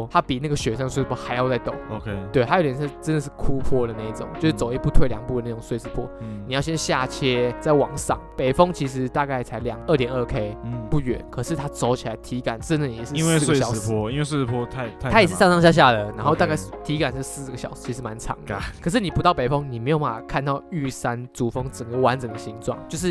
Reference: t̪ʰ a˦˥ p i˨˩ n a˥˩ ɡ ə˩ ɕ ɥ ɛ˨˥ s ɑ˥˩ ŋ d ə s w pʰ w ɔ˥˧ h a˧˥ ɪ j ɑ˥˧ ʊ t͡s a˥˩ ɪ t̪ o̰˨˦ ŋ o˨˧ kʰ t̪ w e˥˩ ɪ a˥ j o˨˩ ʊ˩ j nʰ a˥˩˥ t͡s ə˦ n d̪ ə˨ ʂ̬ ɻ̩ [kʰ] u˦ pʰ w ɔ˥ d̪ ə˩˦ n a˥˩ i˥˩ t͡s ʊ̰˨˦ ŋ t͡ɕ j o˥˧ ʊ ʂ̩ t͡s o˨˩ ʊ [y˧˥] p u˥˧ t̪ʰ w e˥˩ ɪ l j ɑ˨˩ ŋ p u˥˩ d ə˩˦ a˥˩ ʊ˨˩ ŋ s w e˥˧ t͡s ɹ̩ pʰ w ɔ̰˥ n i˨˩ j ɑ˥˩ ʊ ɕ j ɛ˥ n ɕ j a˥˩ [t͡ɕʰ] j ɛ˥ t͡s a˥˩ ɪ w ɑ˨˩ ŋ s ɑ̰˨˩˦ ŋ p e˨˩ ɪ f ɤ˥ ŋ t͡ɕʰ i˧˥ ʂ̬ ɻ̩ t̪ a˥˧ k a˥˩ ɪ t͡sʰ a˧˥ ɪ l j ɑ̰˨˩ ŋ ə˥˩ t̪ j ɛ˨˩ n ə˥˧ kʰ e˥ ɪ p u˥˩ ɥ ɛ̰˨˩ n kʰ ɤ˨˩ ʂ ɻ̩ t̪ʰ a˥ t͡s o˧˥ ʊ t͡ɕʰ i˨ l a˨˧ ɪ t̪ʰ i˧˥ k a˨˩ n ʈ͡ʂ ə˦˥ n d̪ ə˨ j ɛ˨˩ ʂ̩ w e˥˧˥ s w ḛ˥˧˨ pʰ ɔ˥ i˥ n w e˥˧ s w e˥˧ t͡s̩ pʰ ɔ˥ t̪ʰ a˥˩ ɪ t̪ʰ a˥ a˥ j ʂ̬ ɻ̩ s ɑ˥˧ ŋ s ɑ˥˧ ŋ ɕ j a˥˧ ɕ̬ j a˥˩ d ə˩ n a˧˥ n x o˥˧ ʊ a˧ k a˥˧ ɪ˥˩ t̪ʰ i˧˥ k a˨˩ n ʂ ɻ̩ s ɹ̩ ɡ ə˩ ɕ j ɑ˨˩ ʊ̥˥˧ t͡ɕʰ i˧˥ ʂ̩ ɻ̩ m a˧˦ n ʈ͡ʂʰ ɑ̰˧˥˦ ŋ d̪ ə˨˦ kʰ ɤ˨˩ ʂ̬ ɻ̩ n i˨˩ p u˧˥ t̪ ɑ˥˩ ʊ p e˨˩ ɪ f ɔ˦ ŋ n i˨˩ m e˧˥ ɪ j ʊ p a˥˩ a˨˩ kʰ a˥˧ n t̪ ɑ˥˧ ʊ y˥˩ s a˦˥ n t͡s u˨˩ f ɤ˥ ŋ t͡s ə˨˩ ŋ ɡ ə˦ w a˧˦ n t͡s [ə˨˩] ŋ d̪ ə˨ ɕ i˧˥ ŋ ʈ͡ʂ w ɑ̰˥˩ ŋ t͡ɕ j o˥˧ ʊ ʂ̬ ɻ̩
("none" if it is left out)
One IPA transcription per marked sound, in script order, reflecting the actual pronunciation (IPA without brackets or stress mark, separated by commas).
kʰ, i˧˥, t͡ɕʰ, ə˨˩